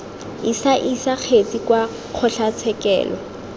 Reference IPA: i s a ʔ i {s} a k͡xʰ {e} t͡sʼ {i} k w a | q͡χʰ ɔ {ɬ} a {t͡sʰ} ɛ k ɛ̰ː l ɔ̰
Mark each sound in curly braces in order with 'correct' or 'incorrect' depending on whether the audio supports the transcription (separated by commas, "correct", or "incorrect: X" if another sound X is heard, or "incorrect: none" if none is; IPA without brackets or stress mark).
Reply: correct, correct, correct, correct, correct